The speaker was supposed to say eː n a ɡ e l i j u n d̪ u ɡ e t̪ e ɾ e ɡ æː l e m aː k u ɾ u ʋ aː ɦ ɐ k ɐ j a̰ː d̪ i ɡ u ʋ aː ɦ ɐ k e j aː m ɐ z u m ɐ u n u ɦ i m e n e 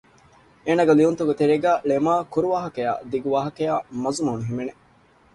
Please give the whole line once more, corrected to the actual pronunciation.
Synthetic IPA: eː n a ɡ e l i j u n t̪ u ɡ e t̪ e ɾ e ɡ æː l e m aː k u ɾ u ʋ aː ɦ ɐ k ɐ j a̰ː d̪ i ɡ u ʋ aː ɦ ɐ k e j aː m ɐ z u m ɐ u n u ɦ i m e n e